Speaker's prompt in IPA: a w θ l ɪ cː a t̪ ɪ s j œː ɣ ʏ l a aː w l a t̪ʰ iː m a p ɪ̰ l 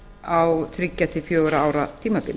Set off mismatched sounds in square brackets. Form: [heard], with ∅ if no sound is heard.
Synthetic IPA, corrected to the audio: a w θ [ɾ] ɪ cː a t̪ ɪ [f] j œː ɣ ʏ [ɾ] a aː w [ɾ] a t̪ʰ iː m a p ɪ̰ l